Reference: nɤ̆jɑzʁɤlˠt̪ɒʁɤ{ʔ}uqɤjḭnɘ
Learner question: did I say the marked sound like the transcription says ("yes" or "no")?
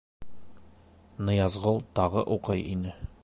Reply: yes